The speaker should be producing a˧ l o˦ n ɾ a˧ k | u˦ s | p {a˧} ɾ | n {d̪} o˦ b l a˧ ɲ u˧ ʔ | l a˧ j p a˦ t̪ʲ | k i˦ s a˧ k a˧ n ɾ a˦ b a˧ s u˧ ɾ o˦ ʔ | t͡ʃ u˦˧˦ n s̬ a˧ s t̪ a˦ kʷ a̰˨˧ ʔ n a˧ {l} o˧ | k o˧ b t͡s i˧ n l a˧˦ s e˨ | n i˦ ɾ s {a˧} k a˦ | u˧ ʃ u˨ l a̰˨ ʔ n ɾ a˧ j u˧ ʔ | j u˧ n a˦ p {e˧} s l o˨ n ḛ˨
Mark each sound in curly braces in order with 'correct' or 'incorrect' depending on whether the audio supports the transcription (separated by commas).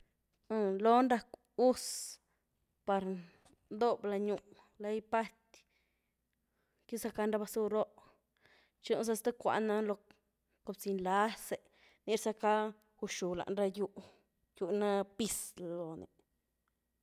correct, correct, correct, correct, incorrect